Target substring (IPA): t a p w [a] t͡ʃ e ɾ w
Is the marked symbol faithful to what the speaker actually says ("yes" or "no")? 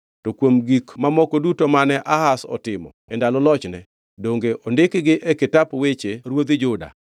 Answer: no